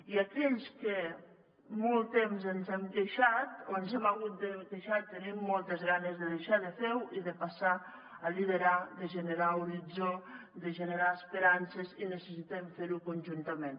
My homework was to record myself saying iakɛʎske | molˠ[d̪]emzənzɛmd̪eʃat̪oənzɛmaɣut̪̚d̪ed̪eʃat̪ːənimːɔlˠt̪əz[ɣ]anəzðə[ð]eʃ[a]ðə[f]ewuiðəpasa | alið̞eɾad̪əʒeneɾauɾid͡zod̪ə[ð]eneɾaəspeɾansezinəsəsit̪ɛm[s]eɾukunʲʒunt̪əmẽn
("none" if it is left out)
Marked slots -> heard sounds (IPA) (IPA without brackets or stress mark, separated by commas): t̪, ɣ, ð, a, f, ʒ, f